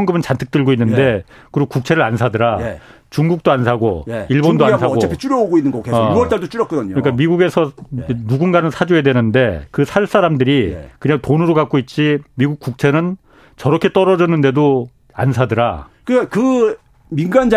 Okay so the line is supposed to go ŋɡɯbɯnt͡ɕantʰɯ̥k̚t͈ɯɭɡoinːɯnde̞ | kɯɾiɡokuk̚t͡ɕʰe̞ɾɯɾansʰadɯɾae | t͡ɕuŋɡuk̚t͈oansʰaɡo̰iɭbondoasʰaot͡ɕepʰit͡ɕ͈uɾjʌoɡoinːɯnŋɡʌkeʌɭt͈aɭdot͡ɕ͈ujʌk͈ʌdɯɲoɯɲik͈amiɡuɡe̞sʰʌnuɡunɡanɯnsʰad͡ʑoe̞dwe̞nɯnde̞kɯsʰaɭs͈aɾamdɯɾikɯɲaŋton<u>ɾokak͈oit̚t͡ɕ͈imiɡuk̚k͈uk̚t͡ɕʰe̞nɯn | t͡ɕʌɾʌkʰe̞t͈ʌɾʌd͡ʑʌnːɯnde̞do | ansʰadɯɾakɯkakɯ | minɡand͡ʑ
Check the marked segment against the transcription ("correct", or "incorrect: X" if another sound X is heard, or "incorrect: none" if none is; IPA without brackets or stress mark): incorrect: ɯ